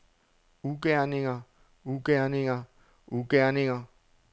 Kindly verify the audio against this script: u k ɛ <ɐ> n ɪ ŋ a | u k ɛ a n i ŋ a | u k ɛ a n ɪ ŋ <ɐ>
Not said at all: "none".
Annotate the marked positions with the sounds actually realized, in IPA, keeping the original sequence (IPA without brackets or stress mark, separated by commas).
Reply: a, a